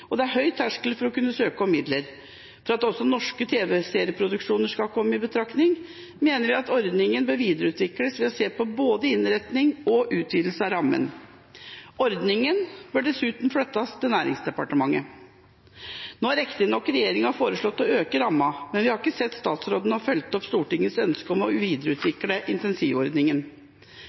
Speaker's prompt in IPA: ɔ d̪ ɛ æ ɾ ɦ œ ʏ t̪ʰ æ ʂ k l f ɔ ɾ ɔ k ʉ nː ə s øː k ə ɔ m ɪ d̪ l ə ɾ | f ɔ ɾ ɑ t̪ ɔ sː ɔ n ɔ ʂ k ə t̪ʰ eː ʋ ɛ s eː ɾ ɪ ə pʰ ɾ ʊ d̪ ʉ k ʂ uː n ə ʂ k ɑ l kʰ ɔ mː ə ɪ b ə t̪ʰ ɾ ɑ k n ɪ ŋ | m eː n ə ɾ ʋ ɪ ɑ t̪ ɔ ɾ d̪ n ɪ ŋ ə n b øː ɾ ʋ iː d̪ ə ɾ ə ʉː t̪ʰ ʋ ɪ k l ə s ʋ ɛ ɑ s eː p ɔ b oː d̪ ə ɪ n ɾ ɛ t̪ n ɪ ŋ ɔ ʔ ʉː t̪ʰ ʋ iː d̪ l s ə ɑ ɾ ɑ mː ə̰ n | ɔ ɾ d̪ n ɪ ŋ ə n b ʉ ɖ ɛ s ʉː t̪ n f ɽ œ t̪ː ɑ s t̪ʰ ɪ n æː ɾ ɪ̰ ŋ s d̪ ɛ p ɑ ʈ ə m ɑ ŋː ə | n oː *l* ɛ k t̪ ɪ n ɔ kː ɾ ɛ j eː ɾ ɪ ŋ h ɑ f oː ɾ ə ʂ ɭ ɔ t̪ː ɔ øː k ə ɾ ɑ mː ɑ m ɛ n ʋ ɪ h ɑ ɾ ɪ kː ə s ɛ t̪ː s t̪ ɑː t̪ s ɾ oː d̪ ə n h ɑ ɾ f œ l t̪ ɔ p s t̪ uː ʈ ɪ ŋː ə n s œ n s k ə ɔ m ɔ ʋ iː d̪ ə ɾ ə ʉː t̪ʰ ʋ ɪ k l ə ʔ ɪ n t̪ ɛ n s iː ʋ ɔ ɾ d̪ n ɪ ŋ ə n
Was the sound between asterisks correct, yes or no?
no